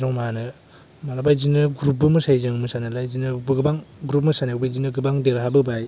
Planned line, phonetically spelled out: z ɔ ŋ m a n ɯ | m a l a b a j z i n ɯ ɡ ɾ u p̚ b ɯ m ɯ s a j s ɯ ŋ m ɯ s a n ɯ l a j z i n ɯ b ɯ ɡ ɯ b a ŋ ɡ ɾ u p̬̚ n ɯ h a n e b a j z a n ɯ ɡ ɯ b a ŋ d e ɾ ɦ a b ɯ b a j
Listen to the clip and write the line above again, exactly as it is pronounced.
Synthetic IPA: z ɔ ŋ m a n ɯ | m a l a b a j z i n ɯ ɡ ɾ u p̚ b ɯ m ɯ s a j z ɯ ŋ m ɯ s a n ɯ l a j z i n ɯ b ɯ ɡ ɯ b a ŋ ɡ ɾ u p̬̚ m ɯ s a n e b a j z i n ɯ ɡ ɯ b a ŋ d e ɾ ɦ a b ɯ b a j